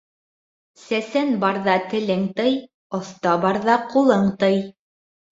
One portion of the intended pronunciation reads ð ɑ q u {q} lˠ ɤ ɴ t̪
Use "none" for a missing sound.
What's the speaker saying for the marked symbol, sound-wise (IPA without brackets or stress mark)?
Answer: none